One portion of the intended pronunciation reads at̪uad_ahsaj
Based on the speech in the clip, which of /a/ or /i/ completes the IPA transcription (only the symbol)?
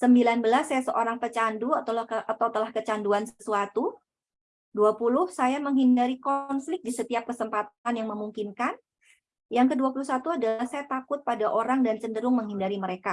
a